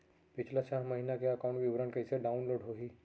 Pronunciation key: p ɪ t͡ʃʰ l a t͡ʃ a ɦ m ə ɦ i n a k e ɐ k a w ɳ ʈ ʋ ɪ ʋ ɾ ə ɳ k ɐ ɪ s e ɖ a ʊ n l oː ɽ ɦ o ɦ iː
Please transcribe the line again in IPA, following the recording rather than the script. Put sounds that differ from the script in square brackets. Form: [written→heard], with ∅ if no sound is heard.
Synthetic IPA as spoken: p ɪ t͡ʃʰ l a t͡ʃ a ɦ m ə ɦ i n a k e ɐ k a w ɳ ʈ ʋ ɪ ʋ ɾ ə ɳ k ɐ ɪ s e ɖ a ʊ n l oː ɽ ɦ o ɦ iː